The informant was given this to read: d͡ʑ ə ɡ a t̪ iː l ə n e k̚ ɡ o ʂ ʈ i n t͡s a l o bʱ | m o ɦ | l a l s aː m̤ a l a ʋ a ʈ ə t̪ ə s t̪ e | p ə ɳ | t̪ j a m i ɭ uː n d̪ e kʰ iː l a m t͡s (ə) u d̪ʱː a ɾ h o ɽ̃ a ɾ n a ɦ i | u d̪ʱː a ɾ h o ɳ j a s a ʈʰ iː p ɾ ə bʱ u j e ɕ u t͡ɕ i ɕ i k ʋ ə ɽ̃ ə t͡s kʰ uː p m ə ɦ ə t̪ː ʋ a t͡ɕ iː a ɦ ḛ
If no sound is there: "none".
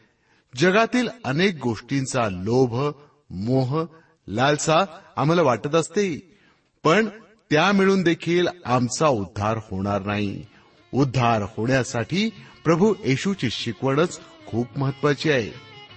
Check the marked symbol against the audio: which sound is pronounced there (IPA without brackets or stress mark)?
a